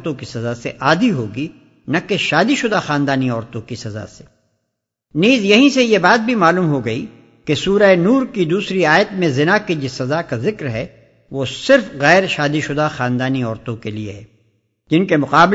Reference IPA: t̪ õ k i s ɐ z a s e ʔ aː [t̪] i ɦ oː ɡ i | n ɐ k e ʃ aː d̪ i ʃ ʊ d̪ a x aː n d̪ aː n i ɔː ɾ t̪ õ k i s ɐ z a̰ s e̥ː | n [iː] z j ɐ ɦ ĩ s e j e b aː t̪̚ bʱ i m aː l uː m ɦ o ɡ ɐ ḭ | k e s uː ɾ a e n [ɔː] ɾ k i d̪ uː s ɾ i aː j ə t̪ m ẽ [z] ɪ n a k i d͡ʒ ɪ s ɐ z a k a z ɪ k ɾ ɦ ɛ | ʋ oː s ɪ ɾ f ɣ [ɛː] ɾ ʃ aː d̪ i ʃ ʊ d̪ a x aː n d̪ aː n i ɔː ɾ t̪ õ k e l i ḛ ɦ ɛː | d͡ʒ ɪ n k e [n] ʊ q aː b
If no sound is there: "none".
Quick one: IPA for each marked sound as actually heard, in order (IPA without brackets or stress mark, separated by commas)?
d̪, iː, uː, z, ɛː, m